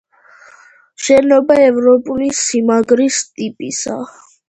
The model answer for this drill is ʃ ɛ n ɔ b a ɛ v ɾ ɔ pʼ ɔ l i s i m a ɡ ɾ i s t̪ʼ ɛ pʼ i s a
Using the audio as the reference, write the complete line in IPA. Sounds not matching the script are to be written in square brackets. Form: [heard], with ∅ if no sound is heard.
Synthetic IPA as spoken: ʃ ɛ n ɔ b a ɛ v ɾ ɔ pʼ [u] l i s i m a ɡ ɾ i s t̪ʼ [i] pʼ i s a